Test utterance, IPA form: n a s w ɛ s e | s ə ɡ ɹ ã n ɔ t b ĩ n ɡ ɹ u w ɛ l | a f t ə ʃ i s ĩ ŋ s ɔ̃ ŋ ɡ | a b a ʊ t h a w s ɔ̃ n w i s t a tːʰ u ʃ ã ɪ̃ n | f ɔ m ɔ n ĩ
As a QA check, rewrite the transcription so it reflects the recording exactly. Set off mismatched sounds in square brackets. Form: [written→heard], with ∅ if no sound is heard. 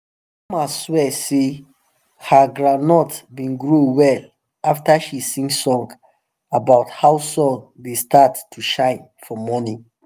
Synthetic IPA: [n→m] a s w ɛ s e | [s→h] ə ɡ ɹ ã n ɔ t b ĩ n ɡ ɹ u w ɛ l | a f t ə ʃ i s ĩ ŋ s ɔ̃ ŋ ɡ | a b a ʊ t h a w s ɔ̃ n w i s t a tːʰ u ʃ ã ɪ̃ n | f ɔ m ɔ n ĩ